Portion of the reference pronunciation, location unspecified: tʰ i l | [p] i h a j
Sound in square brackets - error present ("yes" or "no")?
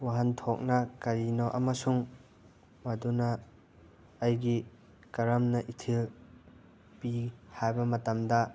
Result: no